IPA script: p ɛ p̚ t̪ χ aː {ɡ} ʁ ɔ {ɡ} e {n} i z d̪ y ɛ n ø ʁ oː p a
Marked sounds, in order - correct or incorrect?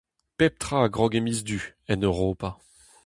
correct, correct, incorrect

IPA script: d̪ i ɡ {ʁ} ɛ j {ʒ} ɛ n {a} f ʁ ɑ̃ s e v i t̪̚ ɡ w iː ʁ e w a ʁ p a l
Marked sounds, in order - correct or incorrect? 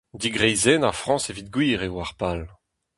correct, incorrect, correct

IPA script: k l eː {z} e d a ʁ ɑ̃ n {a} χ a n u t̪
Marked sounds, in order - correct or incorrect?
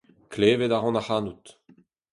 incorrect, correct

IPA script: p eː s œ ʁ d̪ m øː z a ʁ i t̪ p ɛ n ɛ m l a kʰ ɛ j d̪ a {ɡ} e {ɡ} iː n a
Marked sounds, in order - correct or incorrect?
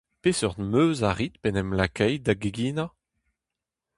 correct, correct

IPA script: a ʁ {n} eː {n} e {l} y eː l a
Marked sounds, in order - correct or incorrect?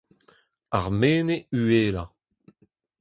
incorrect, correct, incorrect

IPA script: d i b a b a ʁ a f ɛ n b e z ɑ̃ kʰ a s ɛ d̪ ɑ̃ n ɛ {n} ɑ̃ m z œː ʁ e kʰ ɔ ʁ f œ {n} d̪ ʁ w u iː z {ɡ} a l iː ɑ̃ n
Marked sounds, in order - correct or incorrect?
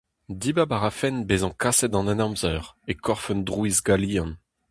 correct, correct, correct

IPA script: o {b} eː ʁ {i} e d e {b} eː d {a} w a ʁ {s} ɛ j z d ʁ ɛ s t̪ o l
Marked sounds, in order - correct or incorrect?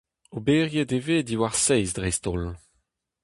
correct, incorrect, incorrect, incorrect, correct

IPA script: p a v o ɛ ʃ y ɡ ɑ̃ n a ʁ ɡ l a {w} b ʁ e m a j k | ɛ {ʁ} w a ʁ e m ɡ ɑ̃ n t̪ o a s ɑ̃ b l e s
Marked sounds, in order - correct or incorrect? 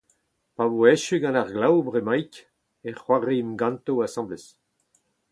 correct, incorrect

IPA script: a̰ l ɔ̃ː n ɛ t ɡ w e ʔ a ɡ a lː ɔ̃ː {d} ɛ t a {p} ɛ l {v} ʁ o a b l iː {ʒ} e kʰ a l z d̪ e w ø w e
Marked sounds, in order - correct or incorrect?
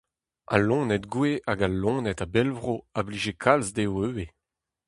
incorrect, incorrect, correct, correct

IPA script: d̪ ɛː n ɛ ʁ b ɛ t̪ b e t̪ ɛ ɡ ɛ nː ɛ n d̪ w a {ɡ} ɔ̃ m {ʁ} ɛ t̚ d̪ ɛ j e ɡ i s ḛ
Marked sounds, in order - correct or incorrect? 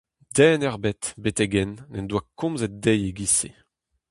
incorrect, incorrect

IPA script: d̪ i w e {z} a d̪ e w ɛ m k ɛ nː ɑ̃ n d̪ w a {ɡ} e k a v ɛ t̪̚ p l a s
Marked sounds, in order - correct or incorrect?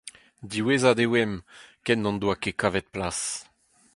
correct, incorrect

